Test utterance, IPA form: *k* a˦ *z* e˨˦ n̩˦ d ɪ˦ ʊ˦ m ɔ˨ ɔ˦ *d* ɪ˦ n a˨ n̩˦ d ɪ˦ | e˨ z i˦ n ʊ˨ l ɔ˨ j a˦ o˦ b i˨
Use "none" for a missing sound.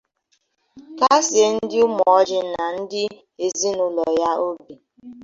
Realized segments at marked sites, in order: k, s, d͡ʒ

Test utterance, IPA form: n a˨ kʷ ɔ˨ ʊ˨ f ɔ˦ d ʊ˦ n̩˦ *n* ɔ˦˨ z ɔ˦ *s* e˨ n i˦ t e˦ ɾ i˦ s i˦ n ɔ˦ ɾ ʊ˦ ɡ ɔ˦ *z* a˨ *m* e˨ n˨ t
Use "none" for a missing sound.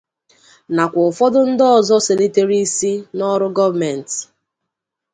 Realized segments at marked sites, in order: d, s, v, m

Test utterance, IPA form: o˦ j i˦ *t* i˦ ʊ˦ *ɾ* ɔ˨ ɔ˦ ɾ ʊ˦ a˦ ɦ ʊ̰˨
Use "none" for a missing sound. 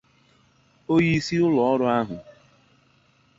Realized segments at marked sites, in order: s, l

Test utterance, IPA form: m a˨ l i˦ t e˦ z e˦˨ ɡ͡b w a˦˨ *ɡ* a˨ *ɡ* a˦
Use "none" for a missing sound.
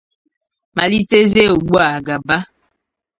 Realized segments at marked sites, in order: ɡ, b

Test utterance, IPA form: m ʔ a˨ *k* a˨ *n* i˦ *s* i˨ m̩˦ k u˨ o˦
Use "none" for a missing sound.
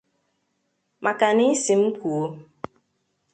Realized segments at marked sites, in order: k, n, s

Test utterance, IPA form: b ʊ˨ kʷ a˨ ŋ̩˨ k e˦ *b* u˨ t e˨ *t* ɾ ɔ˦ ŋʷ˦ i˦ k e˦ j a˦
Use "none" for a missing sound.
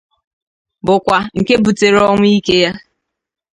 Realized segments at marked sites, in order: b, none

